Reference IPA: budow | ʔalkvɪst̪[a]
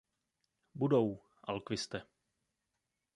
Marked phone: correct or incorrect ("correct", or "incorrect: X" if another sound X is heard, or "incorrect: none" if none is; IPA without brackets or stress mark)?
incorrect: ɛ